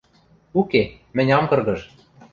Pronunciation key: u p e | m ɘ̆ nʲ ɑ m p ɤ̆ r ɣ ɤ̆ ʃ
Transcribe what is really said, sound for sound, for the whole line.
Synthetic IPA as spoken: u k e | m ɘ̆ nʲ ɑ m k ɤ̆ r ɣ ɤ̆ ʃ